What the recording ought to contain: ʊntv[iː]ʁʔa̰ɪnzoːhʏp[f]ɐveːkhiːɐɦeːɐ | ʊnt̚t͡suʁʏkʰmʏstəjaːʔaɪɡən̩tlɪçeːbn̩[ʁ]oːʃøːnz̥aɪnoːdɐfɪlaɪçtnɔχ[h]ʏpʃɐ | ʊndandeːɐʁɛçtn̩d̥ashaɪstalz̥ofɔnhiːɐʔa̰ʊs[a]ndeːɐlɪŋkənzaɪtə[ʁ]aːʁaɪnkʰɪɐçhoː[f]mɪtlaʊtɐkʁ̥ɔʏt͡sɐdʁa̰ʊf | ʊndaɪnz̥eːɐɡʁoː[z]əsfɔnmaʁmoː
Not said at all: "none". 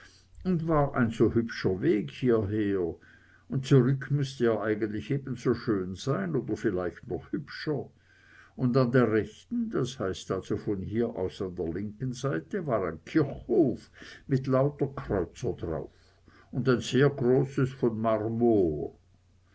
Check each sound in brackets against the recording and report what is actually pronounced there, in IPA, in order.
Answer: aː, ʃ, z, h, a, v, f, s

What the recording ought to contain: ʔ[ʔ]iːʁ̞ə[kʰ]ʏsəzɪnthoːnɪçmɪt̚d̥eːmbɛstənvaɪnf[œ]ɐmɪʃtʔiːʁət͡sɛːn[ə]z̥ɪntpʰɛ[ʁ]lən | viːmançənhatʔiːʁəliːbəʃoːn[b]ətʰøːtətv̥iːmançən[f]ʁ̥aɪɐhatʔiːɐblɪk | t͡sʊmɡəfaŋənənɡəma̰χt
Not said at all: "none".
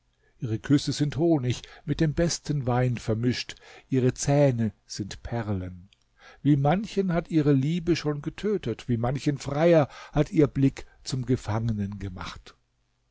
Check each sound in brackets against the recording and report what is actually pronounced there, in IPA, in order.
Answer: ʔ, kʰ, ɛ, ə, ʁ, ɡ, f

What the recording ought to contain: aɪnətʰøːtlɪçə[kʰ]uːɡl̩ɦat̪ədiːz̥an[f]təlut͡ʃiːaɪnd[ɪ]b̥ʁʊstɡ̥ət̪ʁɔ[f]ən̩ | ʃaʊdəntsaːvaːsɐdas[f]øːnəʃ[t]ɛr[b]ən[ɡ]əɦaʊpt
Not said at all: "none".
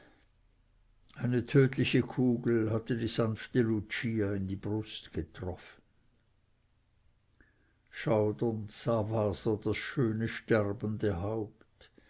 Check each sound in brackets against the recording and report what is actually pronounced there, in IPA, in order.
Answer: kʰ, f, i, f, ʃ, t, b, d

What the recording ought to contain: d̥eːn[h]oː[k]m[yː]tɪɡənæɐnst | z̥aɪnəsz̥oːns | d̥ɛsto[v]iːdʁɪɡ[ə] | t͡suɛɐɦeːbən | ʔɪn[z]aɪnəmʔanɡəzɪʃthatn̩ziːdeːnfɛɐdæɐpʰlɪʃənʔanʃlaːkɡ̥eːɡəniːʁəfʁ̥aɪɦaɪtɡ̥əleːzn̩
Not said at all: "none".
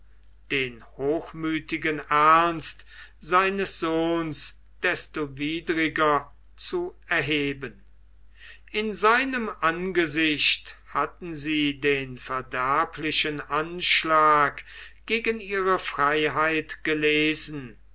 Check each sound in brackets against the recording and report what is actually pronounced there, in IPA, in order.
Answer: h, x, yː, v, ɐ, z

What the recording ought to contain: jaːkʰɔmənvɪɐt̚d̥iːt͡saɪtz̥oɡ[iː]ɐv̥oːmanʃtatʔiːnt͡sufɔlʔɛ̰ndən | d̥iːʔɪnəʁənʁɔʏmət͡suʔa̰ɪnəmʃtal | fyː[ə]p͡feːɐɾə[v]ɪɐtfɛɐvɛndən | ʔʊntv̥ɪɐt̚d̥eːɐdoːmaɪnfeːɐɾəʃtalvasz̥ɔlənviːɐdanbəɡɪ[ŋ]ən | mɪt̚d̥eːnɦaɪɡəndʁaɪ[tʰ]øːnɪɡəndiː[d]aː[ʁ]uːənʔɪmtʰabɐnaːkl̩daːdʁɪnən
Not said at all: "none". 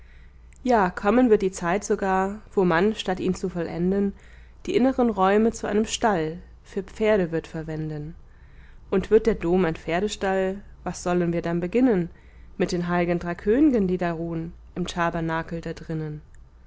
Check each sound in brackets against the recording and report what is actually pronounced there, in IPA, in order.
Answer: aː, ɐ, v, n, kʰ, d, ʁ

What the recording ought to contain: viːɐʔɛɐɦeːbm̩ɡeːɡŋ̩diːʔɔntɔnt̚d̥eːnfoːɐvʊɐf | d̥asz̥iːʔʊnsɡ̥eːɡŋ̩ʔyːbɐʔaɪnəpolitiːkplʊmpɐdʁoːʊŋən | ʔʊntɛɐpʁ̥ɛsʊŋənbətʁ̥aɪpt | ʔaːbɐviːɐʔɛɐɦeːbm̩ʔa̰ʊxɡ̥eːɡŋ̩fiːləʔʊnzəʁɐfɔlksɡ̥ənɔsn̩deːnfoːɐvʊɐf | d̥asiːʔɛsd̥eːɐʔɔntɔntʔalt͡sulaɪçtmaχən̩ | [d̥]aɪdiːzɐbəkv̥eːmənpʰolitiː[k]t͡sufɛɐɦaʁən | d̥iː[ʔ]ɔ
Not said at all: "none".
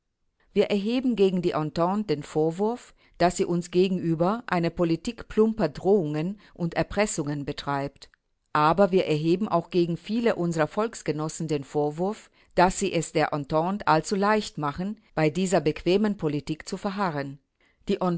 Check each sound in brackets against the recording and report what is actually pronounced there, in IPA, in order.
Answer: b̥, k, ʔ

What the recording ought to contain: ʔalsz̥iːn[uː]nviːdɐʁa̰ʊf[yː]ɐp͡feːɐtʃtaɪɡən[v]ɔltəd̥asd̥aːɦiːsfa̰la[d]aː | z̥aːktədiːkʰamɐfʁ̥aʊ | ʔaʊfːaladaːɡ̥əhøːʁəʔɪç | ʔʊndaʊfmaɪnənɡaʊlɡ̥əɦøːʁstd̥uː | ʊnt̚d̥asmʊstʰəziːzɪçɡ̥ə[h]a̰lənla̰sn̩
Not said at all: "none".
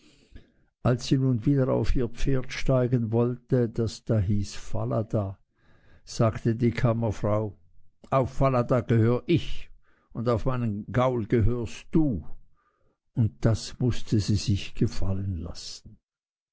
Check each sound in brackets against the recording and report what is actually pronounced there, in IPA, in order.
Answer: uː, iː, v, d, f

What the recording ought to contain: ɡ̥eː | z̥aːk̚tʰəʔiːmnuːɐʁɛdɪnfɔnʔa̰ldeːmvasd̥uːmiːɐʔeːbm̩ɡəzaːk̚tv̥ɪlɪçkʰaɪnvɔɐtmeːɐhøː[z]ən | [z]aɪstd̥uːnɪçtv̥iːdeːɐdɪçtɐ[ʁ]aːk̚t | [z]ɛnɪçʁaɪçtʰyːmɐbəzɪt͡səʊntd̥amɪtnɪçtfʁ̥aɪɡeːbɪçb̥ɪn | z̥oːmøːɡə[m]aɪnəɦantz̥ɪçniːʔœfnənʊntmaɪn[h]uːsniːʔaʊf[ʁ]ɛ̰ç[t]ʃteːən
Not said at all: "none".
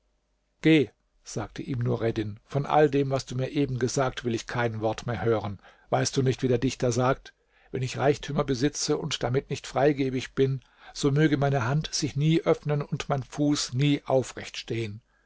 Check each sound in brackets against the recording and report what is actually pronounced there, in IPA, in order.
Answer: ʁ, v, z, v, m, f, ʁ, t

